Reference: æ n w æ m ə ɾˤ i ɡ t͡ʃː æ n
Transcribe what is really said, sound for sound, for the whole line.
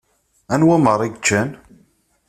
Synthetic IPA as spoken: æ n w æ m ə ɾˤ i ɡ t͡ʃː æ n